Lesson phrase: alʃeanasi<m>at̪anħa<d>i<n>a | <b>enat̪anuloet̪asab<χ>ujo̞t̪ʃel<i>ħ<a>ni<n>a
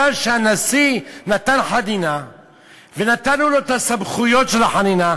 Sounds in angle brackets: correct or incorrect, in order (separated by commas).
incorrect, correct, correct, incorrect, correct, incorrect, correct, correct